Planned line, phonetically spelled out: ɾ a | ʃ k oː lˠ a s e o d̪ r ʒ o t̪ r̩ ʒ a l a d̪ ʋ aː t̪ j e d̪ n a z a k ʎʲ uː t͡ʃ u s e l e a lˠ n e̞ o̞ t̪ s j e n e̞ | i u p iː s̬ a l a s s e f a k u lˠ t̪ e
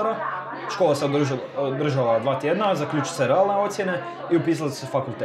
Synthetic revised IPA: ɾ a | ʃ k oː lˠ a s e o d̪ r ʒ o d̪ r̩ ʒ a l a d̪ ʋ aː t̪ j e d̪ n a z a k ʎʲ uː t͡ʃ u s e ɾ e a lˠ n e̞ o̞ t̪ s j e n e̞ | i u p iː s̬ a l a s s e f a k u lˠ t̪ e